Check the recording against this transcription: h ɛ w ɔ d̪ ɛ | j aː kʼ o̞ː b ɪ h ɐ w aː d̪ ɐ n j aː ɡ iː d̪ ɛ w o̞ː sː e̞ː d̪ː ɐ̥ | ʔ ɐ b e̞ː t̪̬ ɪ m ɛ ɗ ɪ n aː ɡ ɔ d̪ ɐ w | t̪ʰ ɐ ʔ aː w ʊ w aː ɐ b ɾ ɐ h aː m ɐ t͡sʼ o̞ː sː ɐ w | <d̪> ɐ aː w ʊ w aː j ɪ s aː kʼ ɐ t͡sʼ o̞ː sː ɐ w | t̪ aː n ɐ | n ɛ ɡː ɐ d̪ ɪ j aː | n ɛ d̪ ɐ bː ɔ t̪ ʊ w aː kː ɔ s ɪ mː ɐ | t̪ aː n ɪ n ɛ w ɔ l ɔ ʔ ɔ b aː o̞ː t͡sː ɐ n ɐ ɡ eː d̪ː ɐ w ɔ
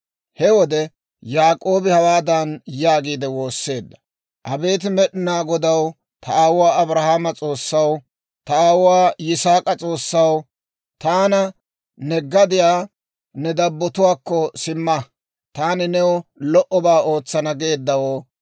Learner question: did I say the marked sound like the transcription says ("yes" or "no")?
no